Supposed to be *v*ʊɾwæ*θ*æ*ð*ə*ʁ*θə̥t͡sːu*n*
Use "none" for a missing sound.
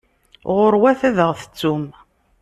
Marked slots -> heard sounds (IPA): ʁ, θ, ð, ʁ, m

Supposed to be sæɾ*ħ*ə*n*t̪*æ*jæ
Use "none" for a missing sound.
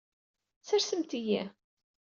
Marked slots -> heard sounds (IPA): s, m, i

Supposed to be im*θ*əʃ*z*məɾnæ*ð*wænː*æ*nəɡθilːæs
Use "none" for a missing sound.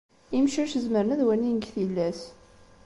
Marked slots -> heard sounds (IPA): ʃ, z, ð, i

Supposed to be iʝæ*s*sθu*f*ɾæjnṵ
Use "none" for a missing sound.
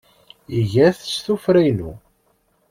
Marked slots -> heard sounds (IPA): θ, f

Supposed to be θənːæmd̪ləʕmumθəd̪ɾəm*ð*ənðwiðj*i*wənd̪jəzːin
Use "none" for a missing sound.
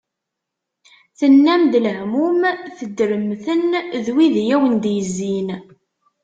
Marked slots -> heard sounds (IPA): θ, æ

